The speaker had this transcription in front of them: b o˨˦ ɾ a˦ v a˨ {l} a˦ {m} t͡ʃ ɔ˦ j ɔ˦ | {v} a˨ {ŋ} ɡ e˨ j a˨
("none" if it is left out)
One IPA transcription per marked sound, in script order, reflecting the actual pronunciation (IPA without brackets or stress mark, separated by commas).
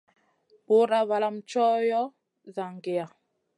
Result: l, m, z, ŋ